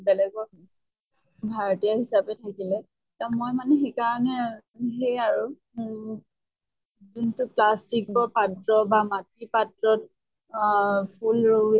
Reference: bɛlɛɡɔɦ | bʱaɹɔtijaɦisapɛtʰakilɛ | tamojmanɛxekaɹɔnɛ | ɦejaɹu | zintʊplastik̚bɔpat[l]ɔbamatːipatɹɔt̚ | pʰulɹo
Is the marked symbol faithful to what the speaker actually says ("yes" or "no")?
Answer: no